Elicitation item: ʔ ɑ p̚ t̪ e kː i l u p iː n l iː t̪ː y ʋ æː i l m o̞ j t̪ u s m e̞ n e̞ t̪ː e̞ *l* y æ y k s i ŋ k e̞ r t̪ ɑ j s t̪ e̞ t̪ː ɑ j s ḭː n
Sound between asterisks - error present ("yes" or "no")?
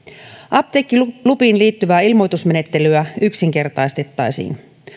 no